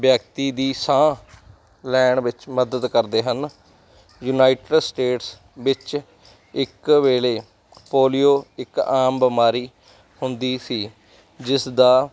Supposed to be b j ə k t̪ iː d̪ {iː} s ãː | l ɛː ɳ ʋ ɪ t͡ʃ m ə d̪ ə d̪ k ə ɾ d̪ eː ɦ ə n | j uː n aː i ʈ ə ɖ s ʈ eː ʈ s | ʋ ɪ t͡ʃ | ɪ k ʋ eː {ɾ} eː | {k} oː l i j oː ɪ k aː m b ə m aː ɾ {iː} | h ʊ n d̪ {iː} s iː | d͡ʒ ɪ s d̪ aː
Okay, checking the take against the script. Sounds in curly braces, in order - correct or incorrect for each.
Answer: correct, incorrect: l, incorrect: p, correct, correct

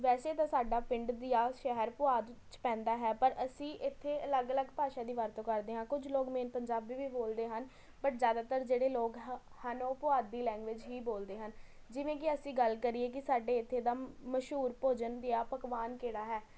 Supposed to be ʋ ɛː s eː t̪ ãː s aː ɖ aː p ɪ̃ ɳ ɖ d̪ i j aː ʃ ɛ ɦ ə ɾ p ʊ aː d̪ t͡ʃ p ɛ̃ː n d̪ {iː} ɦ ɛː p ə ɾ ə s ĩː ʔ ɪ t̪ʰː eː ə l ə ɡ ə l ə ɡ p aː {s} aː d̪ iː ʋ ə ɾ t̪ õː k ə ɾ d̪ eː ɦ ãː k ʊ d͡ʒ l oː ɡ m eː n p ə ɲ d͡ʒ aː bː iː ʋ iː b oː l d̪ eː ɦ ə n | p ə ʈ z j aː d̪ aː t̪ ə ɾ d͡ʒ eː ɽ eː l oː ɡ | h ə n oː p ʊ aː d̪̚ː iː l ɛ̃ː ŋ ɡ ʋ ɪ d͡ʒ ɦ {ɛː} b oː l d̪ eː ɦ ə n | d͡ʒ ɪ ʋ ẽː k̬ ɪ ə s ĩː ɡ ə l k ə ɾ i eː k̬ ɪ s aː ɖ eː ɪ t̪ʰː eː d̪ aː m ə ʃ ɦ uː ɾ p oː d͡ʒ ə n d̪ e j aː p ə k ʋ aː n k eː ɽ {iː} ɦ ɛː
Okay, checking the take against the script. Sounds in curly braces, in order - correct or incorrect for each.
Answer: incorrect: aː, incorrect: ʃ, incorrect: iː, incorrect: aː

